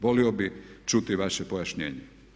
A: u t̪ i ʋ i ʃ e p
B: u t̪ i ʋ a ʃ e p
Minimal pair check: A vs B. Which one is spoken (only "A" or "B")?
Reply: B